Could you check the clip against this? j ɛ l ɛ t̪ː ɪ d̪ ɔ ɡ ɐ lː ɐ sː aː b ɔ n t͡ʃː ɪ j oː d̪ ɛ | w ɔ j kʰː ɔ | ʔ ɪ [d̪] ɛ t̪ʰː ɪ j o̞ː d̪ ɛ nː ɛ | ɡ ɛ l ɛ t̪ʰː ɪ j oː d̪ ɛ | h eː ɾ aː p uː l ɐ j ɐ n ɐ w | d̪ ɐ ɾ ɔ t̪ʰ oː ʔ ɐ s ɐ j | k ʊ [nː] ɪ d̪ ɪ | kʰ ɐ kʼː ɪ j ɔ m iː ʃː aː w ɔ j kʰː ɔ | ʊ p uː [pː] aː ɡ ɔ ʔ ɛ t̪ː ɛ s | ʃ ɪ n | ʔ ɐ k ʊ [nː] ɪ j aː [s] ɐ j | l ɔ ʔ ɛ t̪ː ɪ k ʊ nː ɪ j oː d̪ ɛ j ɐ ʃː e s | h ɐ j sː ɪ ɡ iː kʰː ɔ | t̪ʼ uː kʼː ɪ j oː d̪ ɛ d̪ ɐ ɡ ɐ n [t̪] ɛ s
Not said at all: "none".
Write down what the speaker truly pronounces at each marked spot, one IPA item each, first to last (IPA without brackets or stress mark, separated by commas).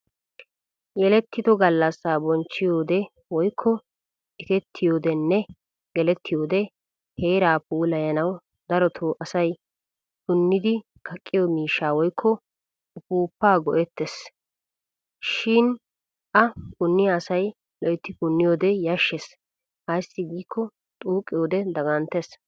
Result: t̪, nː, pː, nː, s, t̪